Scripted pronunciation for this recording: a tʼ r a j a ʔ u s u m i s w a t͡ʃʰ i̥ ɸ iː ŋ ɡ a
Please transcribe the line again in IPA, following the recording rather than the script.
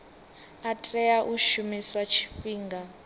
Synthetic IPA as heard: a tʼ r ɛ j a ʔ u ʃ u m i s w a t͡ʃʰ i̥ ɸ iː ŋ ɡ a